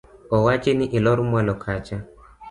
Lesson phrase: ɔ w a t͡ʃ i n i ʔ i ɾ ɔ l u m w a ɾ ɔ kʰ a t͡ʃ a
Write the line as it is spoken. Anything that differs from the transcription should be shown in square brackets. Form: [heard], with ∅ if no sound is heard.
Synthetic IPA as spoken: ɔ w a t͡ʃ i n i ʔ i [l] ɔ [ɾ] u m w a [l] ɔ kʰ a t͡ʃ a

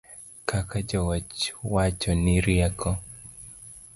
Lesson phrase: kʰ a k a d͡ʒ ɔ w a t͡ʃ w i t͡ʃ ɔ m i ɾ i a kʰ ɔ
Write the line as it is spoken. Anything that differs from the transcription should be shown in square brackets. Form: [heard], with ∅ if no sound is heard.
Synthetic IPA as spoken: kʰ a k a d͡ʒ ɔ w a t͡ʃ w [a] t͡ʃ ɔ [n] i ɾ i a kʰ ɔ

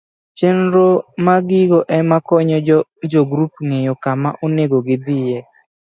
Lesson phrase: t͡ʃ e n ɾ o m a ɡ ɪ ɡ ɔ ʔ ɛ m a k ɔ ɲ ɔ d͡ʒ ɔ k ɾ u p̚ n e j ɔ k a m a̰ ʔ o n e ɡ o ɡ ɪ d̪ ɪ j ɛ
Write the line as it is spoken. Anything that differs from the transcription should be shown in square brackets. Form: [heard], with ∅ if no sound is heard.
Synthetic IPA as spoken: t͡ʃ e n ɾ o m a ɡ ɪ ɡ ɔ ʔ ɛ m a k ɔ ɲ ɔ d͡ʒ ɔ [ɡ] ɾ u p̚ [ŋ] e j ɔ k a m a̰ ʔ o n e ɡ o ɡ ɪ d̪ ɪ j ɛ

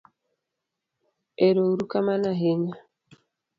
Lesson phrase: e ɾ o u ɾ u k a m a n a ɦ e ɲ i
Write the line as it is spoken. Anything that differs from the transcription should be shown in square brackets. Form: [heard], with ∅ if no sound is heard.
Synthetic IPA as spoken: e ɾ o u ɾ u k a m a n a ɦ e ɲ [a]

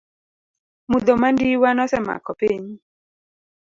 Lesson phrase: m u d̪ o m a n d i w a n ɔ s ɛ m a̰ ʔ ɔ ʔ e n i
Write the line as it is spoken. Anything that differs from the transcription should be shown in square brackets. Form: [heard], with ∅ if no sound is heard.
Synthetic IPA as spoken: m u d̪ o m a n d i w a n ɔ s ɛ m a̰ [k] ɔ [p] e [ɲ] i

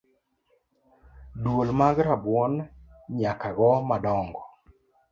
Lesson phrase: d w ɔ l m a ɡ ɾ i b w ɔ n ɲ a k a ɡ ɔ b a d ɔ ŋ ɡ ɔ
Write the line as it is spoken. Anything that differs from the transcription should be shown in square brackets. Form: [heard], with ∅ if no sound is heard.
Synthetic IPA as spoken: d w [o] l m a ɡ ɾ [a] b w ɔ n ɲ a k a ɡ ɔ [m] a d ɔ ŋ ɡ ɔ

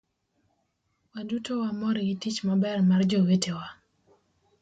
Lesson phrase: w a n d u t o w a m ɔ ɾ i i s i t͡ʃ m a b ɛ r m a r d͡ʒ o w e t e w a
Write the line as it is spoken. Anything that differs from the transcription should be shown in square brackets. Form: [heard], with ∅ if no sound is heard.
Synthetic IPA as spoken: w a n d u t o w a m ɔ ɾ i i [t] i t͡ʃ m a b ɛ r m a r d͡ʒ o w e t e w a

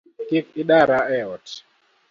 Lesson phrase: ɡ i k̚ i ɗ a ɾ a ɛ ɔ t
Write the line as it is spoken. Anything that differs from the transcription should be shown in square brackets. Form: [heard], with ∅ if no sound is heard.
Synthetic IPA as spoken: [k] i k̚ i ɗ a ɾ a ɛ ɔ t

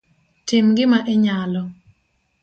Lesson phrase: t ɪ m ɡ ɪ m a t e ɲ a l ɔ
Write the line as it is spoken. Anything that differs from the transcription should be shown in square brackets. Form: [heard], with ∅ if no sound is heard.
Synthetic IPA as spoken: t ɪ m ɡ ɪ m a [ʔ] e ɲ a l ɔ

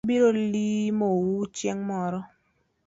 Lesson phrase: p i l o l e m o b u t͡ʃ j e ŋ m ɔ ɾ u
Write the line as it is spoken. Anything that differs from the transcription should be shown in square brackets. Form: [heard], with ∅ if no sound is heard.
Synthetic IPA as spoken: [b] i [ɾ] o l [i] m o [w] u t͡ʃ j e ŋ m ɔ ɾ [ɔ]

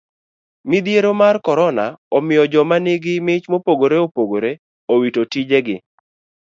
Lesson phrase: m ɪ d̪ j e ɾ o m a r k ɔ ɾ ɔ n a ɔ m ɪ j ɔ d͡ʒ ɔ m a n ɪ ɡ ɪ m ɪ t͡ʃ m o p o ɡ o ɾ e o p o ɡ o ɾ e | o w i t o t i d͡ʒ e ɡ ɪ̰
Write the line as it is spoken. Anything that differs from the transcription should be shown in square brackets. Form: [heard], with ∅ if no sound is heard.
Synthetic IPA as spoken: m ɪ d̪ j e ɾ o m a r k ɔ ɾ ɔ n a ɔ m ɪ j ɔ d͡ʒ ɔ m a n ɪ ɡ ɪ m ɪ t͡ʃ m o p o ɡ o ɾ e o p o ɡ o ɾ e | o w i t o t i d͡ʒ e ɡ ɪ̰

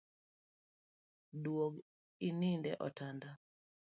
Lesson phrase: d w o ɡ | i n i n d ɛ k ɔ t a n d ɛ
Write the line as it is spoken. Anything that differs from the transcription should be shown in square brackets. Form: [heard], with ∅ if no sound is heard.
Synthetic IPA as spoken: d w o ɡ | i n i n d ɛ [ʔ] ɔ t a n d [a]

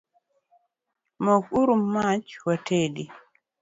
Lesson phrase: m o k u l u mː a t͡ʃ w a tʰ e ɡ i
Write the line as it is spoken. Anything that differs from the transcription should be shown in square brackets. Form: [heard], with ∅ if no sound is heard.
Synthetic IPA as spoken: m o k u [ɾ] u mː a t͡ʃ w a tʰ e [d] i

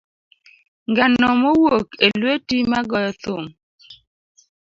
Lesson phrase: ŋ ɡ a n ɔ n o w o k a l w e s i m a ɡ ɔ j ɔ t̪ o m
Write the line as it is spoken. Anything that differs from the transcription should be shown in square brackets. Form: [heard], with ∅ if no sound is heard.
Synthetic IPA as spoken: ŋ ɡ a n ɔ [m] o w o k [e] l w e [t] i m a ɡ ɔ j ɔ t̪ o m

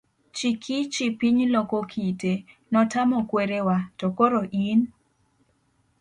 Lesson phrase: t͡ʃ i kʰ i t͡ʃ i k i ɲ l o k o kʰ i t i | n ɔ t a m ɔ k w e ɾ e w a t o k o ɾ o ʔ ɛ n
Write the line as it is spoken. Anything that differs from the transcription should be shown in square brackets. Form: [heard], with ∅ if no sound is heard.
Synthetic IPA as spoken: t͡ʃ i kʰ i t͡ʃ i [p] i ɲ l o k o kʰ i t [e] | n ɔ t a m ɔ k w e ɾ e w a t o k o ɾ o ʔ [i] n

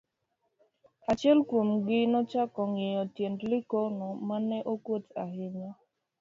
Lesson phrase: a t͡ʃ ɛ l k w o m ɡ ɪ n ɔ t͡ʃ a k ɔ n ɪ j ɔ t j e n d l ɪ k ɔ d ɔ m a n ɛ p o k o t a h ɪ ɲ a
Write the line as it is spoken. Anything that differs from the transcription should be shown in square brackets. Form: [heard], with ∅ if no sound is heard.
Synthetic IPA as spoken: a t͡ʃ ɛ l k w o m ɡ ɪ n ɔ t͡ʃ a k ɔ [ŋ] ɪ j ɔ t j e n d l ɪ k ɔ [n] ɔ m a n ɛ [ʔ] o k o t a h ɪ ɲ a

